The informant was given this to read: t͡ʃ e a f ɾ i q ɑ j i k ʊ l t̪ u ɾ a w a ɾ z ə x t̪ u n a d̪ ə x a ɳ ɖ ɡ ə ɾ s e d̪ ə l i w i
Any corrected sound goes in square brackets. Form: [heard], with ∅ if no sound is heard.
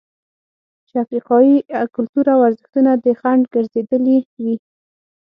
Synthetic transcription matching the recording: t͡ʃ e a f ɾ i q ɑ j i k ʊ l t̪ u ɾ a w a ɾ z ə x t̪ u n a d̪ ə x a ɳ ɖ ɡ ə ɾ [z] e d̪ ə l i w i